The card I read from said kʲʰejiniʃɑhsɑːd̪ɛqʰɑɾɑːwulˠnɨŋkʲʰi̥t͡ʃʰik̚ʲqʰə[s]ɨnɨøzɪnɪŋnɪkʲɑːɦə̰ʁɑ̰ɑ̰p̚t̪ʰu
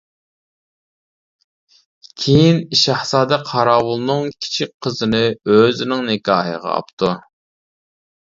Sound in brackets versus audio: incorrect: z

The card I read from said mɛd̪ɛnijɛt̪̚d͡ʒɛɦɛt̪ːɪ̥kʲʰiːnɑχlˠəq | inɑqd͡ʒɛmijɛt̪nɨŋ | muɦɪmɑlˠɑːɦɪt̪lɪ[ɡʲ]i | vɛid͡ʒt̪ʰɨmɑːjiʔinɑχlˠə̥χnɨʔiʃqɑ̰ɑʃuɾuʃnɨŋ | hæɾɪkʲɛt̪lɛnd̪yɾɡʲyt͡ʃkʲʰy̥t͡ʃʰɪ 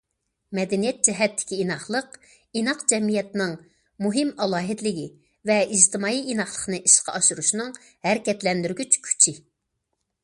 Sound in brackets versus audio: correct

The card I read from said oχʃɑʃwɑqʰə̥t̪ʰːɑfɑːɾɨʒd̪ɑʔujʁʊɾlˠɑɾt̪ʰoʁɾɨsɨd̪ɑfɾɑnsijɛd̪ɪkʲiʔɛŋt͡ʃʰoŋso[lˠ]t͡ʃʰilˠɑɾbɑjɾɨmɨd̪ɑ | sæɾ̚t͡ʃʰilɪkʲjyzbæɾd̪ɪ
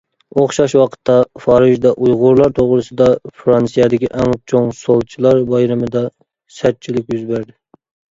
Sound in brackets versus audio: correct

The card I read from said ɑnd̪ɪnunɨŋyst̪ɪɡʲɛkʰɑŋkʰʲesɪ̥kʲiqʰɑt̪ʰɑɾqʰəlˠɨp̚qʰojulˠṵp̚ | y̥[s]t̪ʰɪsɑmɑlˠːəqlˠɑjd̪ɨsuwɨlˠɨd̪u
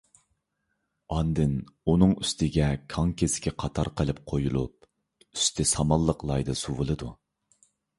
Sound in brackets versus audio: correct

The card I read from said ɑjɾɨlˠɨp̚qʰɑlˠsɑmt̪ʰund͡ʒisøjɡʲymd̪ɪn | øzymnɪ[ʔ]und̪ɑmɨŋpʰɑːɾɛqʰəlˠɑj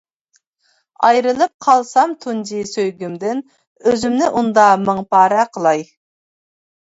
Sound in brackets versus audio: correct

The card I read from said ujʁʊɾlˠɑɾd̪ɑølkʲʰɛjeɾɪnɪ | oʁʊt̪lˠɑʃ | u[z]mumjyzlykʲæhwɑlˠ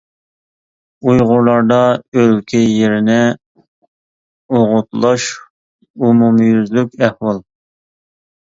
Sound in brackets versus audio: incorrect: none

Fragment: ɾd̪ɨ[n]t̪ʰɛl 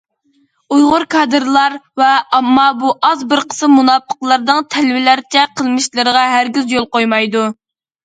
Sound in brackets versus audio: incorrect: ŋ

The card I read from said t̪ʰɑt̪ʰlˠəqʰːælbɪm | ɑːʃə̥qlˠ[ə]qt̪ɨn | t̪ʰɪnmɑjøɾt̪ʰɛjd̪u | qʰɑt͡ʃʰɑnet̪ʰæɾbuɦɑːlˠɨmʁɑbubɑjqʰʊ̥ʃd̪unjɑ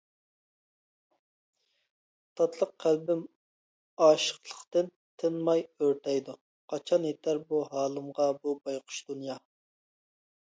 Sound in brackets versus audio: correct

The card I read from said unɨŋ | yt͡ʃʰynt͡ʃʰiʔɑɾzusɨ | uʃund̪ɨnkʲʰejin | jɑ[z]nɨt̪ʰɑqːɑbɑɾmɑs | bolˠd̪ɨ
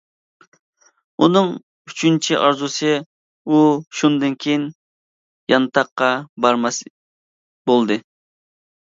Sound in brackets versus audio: incorrect: none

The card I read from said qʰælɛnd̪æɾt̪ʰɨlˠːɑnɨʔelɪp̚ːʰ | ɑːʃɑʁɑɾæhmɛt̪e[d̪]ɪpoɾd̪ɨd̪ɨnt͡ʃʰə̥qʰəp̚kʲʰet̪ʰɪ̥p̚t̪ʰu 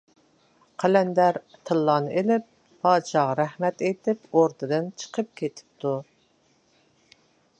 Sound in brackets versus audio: incorrect: t̪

